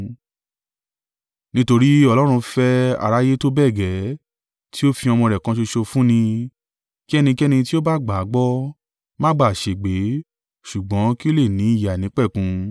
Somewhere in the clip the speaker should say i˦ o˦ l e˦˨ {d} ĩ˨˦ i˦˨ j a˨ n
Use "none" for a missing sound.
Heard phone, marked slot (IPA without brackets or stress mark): n